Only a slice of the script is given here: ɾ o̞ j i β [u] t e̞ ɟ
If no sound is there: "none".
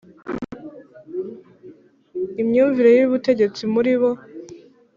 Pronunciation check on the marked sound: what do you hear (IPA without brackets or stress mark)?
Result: u